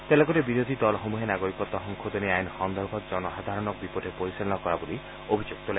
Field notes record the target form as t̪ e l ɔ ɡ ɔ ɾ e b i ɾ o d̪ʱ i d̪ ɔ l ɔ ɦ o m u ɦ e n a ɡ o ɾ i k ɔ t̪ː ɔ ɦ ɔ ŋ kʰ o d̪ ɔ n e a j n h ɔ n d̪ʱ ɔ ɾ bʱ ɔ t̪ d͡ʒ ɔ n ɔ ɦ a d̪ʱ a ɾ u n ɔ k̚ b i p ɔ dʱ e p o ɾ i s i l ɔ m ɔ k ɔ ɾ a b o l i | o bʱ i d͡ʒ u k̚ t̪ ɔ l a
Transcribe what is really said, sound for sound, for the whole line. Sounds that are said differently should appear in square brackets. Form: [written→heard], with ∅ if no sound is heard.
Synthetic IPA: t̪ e l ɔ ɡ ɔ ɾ e b i ɾ o d̪ʱ i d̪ ɔ l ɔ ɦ o m u ɦ e n a ɡ o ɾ i k ɔ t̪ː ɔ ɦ ɔ ŋ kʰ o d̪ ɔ n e a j n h ɔ n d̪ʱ ɔ ɾ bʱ ɔ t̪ d͡ʒ ɔ n ɔ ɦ a d̪ʱ a ɾ [u→ɔ] n ɔ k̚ b i p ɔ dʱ e p o ɾ i s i l ɔ [m→n] ɔ k ɔ ɾ a b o l i | o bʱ i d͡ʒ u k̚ t̪ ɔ l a

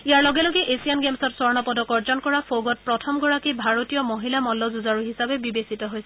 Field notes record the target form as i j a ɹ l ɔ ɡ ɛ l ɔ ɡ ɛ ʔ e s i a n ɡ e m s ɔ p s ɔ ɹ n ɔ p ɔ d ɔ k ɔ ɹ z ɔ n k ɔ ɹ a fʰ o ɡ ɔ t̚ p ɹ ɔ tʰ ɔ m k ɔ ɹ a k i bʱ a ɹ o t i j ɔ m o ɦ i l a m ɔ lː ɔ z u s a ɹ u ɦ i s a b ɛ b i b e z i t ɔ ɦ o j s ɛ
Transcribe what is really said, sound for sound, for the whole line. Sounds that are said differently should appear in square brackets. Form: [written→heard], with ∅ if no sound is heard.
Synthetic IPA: i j a ɹ l ɔ ɡ ɛ l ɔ ɡ ɛ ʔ e s i a n ɡ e m s ɔ [p→t] s ɔ ɹ n ɔ p ɔ d ɔ k ɔ ɹ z ɔ n k ɔ ɹ a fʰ o ɡ ɔ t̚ p ɹ ɔ tʰ ɔ m [k→ɡ] ɔ ɹ a k i bʱ a ɹ o t i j ɔ m o ɦ i l a m ɔ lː ɔ z u [s→z] a ɹ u ɦ i s a b ɛ b i b e [z→s] i t ɔ ɦ o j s ɛ

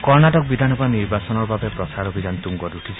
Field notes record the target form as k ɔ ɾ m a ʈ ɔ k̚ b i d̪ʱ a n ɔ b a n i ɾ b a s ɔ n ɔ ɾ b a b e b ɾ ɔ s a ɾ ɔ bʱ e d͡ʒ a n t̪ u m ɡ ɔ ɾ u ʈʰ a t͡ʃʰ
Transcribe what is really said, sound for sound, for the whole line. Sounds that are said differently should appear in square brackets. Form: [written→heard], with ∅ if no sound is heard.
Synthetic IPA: k ɔ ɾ [m→n] a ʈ ɔ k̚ b i d̪ʱ a n ɔ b a n i ɾ b a s ɔ n ɔ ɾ b a b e [b→p] ɾ ɔ s a ɾ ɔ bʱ [e→i] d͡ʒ a n t̪ u [m→ŋ] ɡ ɔ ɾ u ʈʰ [a→i] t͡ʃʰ

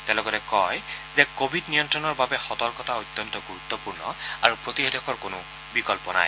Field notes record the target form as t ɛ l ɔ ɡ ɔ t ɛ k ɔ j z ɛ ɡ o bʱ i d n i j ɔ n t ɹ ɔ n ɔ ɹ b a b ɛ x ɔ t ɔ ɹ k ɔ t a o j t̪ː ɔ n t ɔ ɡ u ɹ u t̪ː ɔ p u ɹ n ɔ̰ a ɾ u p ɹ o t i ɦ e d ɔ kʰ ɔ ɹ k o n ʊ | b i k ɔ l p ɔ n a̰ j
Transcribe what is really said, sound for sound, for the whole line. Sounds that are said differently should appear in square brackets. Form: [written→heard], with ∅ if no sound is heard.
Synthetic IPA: t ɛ l ɔ ɡ ɔ t ɛ k ɔ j z ɛ [ɡ→k] o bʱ i d n i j ɔ n t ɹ ɔ n ɔ ɹ b a b ɛ x ɔ t ɔ ɹ k ɔ t a o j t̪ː ɔ n t ɔ ɡ u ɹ u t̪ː ɔ p u ɹ n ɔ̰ a [ɾ→ɹ] u p ɹ o t i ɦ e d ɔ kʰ ɔ ɹ k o n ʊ | b i k ɔ l p ɔ n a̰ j

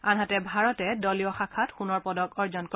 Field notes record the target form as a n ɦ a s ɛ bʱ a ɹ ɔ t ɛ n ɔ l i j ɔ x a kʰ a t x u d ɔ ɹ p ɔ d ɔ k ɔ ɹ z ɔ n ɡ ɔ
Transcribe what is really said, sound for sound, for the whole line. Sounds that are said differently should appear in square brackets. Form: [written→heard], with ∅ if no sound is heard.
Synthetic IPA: a n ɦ a [s→t] ɛ bʱ a ɹ ɔ t ɛ [n→d] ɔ l i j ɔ x a kʰ a t x u [d→n] ɔ ɹ p ɔ d ɔ k ɔ ɹ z ɔ n [ɡ→k] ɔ

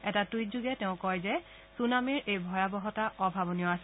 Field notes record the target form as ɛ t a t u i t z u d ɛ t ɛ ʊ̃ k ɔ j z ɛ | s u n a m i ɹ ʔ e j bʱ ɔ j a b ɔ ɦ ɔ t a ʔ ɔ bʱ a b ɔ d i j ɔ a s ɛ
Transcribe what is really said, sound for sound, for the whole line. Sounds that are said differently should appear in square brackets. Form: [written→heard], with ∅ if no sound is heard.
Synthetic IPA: ɛ t a t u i t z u [d→ɡ] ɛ t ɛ ʊ̃ k ɔ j z ɛ | s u n a m i ɹ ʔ e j bʱ ɔ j a b ɔ ɦ ɔ t a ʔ ɔ bʱ a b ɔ [d→n] i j ɔ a s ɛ

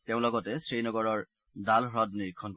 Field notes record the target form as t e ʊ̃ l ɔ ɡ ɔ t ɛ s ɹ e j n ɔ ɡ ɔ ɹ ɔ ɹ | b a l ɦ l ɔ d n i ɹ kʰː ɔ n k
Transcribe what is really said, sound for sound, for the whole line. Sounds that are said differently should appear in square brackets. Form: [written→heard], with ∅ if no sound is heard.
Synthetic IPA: t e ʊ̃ l ɔ ɡ ɔ t ɛ s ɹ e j n ɔ ɡ ɔ ɹ ɔ ɹ | [b→d] a l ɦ [l→ɹ] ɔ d n i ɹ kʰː ɔ n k

